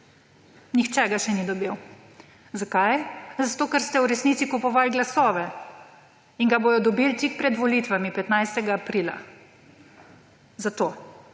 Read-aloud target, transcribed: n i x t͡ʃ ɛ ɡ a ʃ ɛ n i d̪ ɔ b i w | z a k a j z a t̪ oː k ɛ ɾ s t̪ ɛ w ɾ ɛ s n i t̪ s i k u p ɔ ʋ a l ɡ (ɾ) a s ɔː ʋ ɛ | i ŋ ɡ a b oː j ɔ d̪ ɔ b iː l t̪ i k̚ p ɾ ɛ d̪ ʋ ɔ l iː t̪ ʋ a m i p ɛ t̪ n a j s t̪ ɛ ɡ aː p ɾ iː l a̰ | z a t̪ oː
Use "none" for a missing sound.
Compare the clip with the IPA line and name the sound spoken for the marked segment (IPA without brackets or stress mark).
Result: l